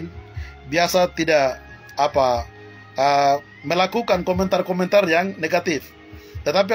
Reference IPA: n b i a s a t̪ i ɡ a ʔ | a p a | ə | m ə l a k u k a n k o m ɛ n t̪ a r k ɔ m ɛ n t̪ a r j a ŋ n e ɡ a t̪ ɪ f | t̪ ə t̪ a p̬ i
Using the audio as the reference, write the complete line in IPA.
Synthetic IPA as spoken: n b i a s a t̪ i d a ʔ | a p a | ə | m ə l a k u k a n k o m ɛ n t̪ a r k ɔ m ɛ n t̪ a r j a ŋ n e ɡ a t̪ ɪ f | t̪ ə t̪ a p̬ i